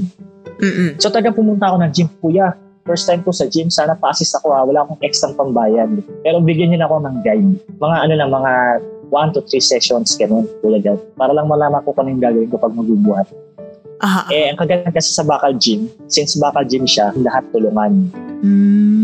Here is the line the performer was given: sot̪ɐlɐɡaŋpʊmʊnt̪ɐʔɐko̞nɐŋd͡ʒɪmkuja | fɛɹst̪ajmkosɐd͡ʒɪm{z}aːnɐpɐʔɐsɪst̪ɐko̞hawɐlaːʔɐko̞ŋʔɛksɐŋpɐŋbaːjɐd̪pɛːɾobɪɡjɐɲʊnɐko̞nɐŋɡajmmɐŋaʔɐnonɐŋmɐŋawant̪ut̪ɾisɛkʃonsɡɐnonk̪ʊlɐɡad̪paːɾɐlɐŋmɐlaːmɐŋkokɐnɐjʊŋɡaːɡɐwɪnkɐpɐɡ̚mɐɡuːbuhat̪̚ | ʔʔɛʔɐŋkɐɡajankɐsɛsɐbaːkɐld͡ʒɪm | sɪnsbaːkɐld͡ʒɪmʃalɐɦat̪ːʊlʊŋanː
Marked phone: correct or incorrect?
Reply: incorrect